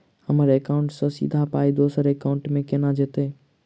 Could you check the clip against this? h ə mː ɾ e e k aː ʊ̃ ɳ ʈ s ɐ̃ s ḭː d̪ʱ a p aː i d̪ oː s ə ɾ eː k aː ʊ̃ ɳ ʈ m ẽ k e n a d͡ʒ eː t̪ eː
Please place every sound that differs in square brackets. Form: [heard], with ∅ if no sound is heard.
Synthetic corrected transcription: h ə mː ɾ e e k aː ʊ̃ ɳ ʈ s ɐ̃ s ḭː d̪ʱ a p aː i d̪ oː s ə ɾ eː k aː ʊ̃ ɳ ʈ m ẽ k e n a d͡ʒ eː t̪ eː